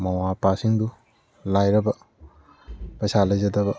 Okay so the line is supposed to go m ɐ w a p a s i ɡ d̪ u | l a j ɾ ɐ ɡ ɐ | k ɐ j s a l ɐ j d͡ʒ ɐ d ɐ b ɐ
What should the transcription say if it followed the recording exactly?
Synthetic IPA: m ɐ w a p a s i ŋ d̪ u | l a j ɾ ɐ b ɐ | p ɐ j s a l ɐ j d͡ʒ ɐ d ɐ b ɐ

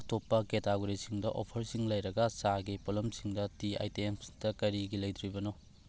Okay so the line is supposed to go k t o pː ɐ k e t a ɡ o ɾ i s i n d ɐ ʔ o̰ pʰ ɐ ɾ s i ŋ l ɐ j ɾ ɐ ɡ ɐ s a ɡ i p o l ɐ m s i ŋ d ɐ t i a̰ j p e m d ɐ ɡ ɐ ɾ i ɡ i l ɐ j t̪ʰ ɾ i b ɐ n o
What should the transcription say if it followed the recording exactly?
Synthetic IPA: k t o pː ɐ k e t a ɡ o ɾ i s i ŋ d ɐ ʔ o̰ pʰ ɐ ɾ s i ŋ l ɐ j ɾ ɐ ɡ ɐ s a ɡ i p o l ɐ m s i ŋ d ɐ t i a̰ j t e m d ɐ k ɐ ɾ i ɡ i l ɐ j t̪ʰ ɾ i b ɐ n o

